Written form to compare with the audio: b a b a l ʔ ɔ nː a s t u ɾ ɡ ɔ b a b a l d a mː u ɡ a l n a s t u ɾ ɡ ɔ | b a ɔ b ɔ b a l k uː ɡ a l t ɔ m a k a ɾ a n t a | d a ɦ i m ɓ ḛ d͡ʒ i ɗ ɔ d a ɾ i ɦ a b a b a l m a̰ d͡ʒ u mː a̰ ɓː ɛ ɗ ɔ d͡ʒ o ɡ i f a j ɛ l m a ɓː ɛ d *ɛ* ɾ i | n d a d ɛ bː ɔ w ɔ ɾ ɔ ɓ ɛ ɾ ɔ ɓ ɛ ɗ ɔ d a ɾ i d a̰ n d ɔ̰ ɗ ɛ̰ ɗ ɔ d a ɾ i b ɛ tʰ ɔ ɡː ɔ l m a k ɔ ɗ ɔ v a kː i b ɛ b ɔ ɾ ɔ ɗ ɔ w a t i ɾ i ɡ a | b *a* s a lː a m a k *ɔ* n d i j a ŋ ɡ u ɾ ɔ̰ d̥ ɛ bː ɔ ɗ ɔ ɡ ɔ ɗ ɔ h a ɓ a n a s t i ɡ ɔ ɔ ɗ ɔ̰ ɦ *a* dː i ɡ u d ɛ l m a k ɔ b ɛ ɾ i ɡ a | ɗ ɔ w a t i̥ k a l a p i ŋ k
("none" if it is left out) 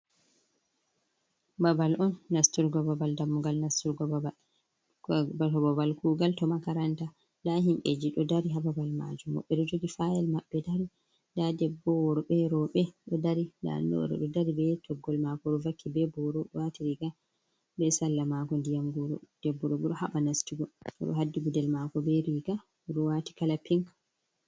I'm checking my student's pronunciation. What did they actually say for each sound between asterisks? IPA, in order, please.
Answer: a, ɛ, ɔ, a

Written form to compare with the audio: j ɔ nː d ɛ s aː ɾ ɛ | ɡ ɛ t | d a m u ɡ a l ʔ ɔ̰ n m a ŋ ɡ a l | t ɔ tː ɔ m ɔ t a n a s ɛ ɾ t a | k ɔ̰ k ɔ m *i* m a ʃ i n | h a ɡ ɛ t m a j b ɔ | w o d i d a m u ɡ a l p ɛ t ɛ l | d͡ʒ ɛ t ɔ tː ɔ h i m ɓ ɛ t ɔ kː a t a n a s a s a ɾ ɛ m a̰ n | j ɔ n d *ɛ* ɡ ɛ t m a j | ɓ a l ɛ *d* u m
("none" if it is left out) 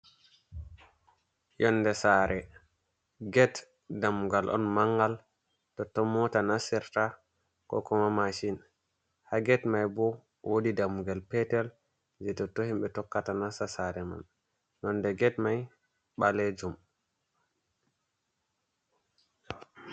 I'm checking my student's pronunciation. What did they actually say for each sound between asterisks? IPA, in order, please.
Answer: a, ɛ, d͡ʒ

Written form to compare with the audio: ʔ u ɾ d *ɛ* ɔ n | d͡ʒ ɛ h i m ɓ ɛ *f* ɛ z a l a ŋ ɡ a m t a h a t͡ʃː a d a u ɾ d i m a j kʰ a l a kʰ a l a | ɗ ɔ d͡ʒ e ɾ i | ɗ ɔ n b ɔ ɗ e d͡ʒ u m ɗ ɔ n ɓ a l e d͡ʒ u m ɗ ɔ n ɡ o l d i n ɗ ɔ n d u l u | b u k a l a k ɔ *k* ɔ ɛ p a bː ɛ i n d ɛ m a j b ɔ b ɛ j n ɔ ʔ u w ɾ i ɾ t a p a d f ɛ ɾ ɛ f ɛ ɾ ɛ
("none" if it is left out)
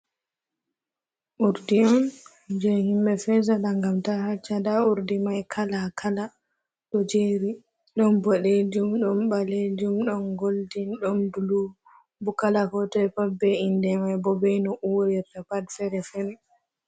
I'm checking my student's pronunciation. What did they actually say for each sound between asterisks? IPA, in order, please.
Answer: i, f, t

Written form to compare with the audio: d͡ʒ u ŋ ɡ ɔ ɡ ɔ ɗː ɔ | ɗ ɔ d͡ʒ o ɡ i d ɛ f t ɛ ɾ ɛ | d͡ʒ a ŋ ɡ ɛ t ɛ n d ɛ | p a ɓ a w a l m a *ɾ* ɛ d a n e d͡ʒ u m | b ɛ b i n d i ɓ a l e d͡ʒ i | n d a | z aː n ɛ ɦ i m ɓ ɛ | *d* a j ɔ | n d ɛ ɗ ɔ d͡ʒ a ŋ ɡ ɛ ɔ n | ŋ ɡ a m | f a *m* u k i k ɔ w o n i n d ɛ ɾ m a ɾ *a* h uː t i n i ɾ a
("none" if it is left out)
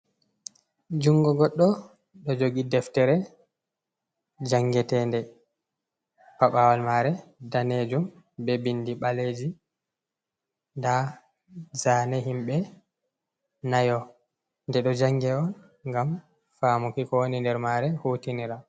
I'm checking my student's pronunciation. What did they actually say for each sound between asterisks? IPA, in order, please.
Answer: ɾ, n, m, ɛ

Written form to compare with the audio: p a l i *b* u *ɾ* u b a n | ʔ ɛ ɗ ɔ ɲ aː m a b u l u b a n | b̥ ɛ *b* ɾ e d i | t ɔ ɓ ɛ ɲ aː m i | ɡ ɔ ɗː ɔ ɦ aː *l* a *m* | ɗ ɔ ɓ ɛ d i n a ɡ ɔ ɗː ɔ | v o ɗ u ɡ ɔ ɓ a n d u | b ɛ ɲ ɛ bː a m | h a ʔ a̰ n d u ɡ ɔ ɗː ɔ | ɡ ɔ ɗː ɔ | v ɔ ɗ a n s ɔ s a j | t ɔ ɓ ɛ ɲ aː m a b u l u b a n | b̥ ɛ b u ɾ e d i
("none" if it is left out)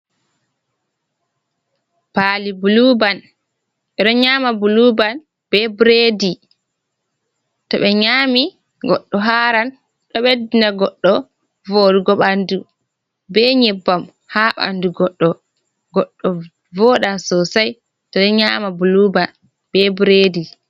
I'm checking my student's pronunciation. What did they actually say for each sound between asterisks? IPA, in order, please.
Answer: b, l, b, ɾ, n

